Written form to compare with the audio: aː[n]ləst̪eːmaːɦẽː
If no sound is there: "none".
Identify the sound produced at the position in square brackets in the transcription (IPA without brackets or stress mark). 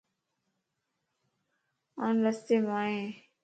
n